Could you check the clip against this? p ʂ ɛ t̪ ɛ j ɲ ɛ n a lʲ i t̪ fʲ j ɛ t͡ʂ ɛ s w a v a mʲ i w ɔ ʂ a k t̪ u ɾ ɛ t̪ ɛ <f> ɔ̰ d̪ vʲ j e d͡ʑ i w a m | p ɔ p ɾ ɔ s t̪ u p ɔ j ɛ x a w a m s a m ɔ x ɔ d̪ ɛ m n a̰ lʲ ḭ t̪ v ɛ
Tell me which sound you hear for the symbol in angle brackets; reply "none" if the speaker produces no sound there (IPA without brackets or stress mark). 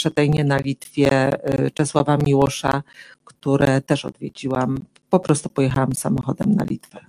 ʂ